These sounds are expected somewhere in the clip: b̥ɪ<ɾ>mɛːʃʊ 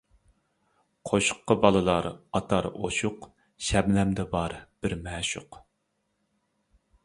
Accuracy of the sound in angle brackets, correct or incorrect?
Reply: correct